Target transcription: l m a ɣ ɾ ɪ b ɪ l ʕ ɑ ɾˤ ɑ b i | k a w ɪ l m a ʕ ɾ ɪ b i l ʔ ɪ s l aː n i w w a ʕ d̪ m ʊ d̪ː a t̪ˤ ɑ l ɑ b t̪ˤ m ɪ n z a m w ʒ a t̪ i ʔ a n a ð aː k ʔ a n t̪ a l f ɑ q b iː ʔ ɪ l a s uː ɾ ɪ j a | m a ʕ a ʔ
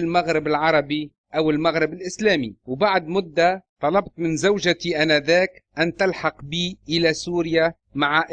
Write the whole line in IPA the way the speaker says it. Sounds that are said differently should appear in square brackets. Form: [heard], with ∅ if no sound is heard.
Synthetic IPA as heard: l m a ɣ ɾ ɪ b ɪ l ʕ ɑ ɾˤ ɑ b i | [ʔ] a w ɪ l m a [ɣ] ɾ ɪ b [ɪ] l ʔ ɪ s l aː [m] i w [b] a ʕ d̪ m ʊ d̪ː a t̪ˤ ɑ l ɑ b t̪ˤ m ɪ n z a [∅] w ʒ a t̪ i ʔ a n a ð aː k ʔ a n t̪ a l [ħ] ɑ q b iː ʔ ɪ l a s uː ɾ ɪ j a | m a ʕ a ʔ